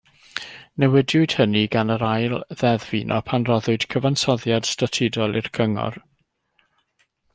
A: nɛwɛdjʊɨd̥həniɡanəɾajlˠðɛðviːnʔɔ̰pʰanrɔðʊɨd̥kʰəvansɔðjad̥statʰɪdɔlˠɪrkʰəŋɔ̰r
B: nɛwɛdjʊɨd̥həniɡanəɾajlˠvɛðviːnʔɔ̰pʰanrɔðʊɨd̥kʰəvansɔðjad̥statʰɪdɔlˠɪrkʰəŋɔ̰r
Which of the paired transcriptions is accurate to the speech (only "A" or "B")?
A